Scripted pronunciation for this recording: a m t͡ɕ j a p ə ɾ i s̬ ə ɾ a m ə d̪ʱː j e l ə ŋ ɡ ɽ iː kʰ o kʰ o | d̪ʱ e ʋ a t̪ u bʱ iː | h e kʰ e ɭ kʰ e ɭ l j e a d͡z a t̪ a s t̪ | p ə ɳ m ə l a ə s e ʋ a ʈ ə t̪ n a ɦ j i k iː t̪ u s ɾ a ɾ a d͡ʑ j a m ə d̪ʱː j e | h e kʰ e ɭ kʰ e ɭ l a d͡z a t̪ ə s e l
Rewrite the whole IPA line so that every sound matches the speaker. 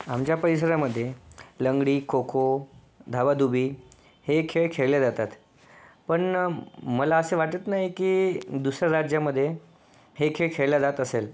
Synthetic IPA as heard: a m t͡ɕ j a p ə ɾ i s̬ ə ɾ a m ə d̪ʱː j e l ə ŋ ɡ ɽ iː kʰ o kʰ o | d̪ʱ a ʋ a d̪ u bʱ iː | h e kʰ e ɭ kʰ e ɭ l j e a d͡z a t̪ a t̪ | p ə ɳ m ə l a ə s e ʋ a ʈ ə t̪ n a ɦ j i k iː d̪ u s ɾ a ɾ a d͡ʑ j a m ə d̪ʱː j e | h e kʰ e ɭ kʰ e ɭ l a d͡z a t̪ ə s e l